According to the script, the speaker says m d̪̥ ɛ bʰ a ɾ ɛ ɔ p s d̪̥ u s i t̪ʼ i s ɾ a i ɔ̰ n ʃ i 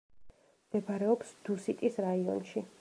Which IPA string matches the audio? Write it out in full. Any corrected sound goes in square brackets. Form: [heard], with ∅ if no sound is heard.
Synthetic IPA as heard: m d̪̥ ɛ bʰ a ɾ ɛ ɔ p s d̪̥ u s i t̪ʼ i s ɾ a i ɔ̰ n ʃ i